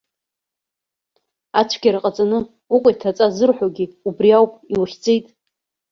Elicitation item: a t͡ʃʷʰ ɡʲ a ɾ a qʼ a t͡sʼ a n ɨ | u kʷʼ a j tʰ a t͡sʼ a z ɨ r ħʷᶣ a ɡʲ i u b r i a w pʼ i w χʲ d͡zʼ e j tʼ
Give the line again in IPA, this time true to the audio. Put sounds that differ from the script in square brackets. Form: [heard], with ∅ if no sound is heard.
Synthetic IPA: a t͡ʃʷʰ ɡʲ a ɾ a qʼ a t͡sʼ a n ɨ | u kʷʼ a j tʰ a t͡sʼ a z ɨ r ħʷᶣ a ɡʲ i u b r i a w pʼ i w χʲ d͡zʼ e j tʼ

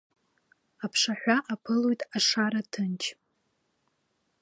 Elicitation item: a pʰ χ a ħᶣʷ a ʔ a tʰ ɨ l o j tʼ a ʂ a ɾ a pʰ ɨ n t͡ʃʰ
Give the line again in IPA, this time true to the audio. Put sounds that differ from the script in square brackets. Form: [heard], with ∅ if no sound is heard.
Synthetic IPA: a pʰ [ʂ] a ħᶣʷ a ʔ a [pʰ] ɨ l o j tʼ a ʂ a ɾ a [tʰ] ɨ n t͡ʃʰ

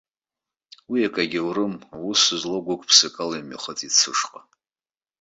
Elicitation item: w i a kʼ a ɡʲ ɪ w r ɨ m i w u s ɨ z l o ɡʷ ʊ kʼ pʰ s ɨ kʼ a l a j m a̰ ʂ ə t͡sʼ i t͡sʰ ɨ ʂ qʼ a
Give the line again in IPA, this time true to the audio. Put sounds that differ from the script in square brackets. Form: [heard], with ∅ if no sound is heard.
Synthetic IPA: w i a kʼ a ɡʲ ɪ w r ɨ m [a] w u s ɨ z l o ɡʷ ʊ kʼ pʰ s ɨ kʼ a l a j m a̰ [χ] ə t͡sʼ i t͡sʰ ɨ ʂ qʼ a

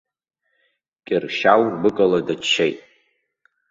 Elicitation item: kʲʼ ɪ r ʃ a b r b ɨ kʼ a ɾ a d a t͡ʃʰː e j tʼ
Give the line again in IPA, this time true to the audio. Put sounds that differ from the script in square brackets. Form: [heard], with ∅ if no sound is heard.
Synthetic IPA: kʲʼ ɪ r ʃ a [w] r b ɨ kʼ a [l] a d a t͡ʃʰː e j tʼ

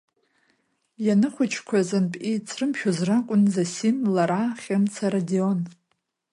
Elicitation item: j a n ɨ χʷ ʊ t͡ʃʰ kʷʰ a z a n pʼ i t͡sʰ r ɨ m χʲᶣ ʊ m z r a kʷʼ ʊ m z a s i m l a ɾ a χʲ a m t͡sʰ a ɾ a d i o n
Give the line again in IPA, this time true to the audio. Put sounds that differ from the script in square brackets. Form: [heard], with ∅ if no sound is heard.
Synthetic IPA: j a n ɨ χʷ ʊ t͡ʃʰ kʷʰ a z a n pʼ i t͡sʰ r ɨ m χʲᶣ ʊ [∅] z r a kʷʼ ʊ [n] z a s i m l a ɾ a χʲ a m t͡sʰ a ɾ a d i o n

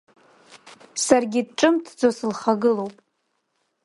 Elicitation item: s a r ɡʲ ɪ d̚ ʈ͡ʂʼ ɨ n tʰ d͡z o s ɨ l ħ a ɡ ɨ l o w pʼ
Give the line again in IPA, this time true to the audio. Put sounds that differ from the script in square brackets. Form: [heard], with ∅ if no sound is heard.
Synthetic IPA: s a r ɡʲ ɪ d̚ ʈ͡ʂʼ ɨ [m] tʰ d͡z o s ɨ l [χ] a ɡ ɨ l o w pʼ

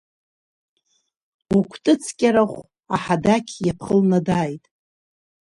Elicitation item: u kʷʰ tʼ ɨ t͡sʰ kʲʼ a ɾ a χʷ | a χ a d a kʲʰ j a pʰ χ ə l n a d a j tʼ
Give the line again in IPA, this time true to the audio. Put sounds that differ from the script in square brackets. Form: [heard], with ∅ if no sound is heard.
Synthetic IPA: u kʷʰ tʼ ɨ t͡sʰ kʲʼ a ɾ a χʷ | a [ħ] a d a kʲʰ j a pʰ χ ə l n a d a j tʼ

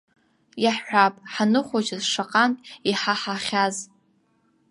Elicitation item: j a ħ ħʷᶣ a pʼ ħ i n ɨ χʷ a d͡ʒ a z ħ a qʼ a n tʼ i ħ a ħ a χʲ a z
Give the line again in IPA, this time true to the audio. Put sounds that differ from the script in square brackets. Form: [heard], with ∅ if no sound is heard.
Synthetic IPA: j a ħ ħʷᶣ a pʼ ħ [a] n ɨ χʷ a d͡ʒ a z [ʂ] a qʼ a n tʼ i ħ a ħ a χʲ a z

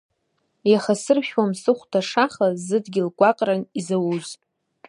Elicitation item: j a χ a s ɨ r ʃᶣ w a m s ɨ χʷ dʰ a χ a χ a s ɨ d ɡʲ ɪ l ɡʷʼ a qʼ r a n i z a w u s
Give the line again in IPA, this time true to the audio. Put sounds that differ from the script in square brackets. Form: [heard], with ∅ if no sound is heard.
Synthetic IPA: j a χ a s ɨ r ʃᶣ w a m s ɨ χʷ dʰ a [ʂ] a χ a [z] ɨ d ɡʲ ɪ l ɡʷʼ a qʼ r a n i z a w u [z]

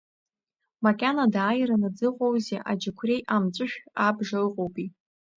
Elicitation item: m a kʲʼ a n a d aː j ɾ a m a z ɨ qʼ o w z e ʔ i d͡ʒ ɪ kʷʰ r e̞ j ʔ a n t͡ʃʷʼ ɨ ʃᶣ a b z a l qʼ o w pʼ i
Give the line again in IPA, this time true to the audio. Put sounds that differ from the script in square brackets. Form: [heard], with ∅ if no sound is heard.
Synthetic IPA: m a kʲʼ a n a d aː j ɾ a [n] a [d͡z] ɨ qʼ o w z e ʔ [a] d͡ʒ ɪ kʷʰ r e̞ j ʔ a [m] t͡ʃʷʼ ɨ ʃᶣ a b [ʐ] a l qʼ o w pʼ i

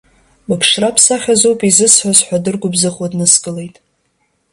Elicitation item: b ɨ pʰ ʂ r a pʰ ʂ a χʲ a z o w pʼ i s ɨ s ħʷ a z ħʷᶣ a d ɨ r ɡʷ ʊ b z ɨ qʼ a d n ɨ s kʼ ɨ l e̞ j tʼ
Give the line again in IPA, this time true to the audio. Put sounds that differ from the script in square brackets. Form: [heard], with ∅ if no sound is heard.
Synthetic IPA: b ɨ pʰ ʂ r a pʰ [s] a χʲ a z o w pʼ i [z] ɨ s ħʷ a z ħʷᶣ a d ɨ r ɡʷ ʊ b z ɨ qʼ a d n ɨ s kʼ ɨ l e̞ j tʼ

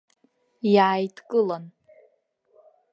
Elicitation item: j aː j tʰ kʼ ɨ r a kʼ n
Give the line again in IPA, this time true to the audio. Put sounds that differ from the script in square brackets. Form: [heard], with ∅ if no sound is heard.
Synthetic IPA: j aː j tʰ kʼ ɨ [l] a [∅] n

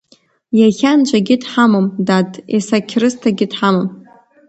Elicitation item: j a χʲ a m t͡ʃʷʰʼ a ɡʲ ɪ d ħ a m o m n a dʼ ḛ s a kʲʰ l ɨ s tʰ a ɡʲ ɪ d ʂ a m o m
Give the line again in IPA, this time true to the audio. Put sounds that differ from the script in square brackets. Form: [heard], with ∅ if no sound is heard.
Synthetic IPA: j a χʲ a [n] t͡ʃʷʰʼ a ɡʲ ɪ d ħ a m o m [d] a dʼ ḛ s a kʲʰ [r] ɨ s tʰ a ɡʲ ɪ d [ħ] a m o m

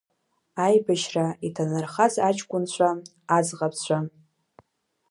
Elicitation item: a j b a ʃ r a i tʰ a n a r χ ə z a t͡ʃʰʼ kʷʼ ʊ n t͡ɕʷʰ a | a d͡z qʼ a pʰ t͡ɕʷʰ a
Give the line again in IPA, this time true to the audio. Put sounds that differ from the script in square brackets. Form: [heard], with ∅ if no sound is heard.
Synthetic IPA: a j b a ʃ r a i tʰ a n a r χ [a] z a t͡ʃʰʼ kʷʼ ʊ n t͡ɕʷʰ a | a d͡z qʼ a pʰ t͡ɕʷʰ a

